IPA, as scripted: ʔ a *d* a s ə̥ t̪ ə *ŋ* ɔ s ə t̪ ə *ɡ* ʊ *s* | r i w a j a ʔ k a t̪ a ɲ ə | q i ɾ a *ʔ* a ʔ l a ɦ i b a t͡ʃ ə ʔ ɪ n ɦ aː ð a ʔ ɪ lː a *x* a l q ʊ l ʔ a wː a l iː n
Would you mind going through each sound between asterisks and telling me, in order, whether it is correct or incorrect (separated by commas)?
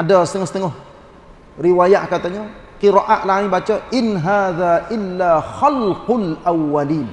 correct, correct, incorrect, incorrect, correct, correct